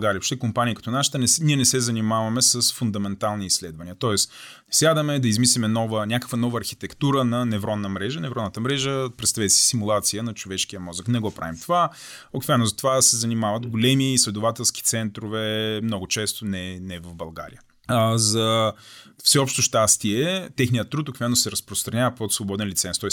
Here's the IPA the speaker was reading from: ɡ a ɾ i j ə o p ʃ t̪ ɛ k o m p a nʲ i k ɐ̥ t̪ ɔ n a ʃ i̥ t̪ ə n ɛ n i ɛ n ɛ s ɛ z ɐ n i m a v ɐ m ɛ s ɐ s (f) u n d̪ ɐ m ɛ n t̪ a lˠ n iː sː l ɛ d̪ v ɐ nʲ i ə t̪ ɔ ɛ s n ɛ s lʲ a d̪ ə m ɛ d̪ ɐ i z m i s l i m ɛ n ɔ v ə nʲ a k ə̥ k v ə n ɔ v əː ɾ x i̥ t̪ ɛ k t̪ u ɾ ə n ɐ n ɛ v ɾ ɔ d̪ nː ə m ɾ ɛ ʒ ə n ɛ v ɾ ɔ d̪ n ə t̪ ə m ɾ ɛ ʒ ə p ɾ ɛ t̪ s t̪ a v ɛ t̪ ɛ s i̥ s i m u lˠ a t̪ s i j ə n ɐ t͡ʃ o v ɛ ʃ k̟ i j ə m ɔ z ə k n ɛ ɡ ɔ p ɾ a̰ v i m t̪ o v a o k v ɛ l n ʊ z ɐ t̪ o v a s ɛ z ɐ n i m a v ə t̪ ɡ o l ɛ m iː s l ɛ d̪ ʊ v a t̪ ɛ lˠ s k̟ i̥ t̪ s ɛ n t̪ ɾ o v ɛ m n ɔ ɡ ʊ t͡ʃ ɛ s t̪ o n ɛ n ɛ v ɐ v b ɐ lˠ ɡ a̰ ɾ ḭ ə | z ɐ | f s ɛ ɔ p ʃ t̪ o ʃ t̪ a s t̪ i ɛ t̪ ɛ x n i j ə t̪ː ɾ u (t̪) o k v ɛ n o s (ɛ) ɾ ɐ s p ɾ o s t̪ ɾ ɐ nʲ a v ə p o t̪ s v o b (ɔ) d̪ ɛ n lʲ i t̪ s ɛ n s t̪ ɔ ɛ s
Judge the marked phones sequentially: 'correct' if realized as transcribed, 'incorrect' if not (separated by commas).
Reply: correct, correct, correct, correct